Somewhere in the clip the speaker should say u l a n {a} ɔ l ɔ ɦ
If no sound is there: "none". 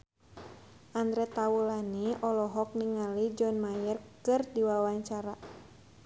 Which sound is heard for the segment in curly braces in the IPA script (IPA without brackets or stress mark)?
i